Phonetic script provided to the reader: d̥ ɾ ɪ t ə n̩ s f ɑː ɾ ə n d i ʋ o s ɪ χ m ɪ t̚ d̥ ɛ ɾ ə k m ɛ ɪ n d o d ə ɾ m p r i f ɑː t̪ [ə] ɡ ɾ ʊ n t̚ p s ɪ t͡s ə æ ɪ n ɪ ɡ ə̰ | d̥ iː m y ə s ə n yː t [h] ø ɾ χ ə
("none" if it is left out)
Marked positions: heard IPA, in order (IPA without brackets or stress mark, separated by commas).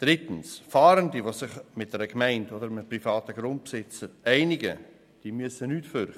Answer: ə, f